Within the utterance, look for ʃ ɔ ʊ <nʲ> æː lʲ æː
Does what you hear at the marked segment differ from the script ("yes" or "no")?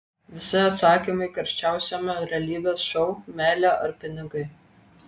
yes